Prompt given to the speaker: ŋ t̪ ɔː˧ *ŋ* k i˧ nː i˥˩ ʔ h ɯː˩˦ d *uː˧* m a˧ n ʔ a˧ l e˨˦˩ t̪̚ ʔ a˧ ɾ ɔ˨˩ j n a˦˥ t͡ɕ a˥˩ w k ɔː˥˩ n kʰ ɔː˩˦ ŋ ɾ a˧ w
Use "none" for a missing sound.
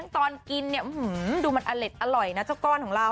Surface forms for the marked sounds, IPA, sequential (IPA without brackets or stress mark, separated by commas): n, uː˧